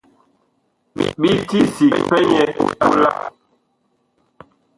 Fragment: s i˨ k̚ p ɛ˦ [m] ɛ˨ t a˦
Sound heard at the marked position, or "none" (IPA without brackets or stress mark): ɲ